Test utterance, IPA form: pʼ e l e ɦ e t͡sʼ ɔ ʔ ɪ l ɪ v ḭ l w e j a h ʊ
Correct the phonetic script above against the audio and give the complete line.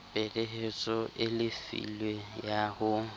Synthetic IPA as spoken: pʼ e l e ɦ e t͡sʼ ɔ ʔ ɪ l ɪ f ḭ l w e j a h ʊ